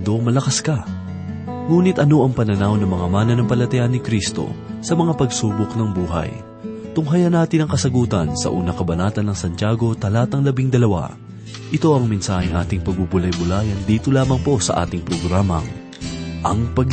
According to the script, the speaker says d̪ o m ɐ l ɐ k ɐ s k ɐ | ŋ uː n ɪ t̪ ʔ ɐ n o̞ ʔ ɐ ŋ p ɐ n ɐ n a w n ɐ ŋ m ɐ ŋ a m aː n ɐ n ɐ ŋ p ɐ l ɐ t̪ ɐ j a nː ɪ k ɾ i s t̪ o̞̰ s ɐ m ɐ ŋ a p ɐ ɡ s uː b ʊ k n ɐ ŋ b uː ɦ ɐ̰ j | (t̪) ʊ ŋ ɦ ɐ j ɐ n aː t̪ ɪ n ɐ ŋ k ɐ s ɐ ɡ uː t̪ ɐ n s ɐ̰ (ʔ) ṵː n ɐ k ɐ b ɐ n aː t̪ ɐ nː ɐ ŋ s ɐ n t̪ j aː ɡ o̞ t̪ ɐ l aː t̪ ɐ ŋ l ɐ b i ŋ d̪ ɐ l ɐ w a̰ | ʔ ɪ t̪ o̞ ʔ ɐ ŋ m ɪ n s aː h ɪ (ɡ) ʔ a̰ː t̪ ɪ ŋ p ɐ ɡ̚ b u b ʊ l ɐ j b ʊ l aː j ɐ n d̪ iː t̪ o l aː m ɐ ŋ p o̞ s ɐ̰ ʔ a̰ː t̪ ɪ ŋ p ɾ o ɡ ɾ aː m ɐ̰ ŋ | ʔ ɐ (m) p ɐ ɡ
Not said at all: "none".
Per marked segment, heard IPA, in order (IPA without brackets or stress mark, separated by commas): t̪, ʔ, ŋ, ŋ